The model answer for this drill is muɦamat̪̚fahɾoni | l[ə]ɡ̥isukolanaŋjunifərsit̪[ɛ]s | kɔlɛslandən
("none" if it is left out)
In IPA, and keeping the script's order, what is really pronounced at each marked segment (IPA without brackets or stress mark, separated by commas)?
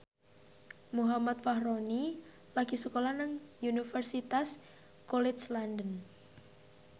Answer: a, a